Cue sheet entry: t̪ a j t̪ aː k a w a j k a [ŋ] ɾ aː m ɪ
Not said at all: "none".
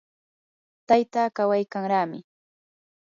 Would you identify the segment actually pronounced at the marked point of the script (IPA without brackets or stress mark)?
ŋ